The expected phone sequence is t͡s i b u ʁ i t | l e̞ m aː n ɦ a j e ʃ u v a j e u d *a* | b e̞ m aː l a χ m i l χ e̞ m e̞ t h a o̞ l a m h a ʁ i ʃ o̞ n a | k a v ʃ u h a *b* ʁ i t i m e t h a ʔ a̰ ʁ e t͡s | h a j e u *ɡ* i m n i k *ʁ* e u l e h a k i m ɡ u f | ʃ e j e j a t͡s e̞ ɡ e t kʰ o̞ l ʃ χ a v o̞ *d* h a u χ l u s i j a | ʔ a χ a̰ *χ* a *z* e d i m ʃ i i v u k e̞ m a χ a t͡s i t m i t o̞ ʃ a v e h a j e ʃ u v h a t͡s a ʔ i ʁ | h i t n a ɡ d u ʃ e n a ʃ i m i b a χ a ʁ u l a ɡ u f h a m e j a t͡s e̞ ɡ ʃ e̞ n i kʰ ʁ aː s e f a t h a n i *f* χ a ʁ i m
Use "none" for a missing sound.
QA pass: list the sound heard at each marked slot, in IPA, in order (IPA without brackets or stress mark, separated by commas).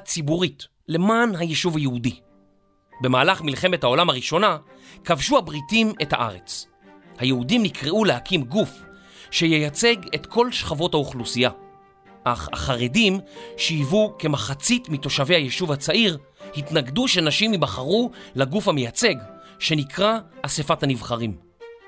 i, b, d, ʁ, t, χ, ʁ, v